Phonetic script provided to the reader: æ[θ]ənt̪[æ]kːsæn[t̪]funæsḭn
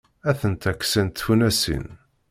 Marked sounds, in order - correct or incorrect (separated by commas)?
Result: correct, correct, correct